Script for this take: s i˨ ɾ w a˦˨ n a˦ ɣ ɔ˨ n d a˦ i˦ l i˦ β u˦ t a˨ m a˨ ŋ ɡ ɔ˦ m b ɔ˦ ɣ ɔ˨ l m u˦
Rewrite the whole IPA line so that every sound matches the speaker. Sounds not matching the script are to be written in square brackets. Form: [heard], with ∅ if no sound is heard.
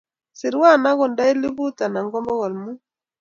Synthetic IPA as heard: s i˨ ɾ w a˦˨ n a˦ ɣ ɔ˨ n d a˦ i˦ l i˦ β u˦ t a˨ [n] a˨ ŋ ɡ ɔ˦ m b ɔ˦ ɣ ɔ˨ l m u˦